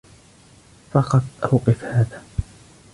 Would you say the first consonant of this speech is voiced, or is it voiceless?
voiceless